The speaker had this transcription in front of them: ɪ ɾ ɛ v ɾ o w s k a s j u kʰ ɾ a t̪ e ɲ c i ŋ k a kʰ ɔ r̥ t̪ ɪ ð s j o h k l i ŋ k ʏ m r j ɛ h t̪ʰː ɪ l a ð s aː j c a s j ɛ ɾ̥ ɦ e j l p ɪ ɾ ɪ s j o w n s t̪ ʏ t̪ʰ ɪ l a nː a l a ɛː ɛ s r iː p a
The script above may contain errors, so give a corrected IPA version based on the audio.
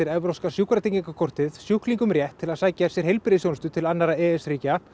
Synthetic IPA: ɪ ɾ ɛ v ɾ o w s k a s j u k ɾ a t̪ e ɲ c i ŋ k a kʰ ɔ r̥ t̪ ɪ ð s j u h k l i ŋ k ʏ m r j ɛ h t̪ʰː ɪ l a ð s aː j c a s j ɛ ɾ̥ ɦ e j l p ɪ ɾ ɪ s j o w n s t̪ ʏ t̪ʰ ɪ l a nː a ɾ a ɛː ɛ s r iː c a